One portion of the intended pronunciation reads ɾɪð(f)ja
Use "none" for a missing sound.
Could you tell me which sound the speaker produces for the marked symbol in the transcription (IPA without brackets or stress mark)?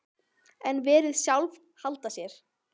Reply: s